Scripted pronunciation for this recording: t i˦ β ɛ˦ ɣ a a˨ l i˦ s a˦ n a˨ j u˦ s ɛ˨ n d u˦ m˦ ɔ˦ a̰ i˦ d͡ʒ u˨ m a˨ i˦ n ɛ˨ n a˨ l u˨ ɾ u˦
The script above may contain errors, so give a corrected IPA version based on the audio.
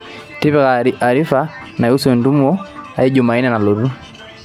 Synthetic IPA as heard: t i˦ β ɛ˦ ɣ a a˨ ɾ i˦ f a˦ n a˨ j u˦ s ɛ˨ n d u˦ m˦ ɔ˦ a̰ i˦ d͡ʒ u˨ m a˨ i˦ n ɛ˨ n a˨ l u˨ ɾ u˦